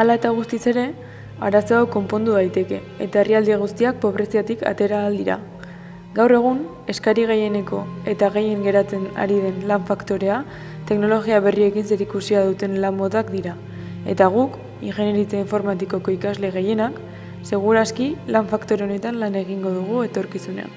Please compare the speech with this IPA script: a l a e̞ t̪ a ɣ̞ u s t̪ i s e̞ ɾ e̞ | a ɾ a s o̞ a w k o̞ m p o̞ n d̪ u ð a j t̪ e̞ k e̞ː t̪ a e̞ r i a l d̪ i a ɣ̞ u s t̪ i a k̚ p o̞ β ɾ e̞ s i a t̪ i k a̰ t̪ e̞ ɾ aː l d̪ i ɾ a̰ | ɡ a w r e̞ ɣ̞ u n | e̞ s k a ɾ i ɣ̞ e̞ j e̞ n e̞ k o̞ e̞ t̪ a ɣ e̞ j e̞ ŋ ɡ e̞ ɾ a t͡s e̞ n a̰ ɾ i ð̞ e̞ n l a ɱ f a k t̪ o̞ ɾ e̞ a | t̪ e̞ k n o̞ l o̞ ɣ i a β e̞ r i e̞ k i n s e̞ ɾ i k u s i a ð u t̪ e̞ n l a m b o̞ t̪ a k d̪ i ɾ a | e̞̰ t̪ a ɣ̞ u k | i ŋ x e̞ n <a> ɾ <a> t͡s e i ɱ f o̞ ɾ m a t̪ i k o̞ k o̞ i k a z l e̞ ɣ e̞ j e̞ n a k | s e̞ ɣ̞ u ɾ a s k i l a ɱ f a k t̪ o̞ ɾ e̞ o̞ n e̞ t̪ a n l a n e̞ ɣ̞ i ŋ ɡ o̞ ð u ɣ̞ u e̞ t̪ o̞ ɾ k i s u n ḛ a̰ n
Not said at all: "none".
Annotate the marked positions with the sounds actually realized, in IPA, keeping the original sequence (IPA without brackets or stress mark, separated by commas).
e, i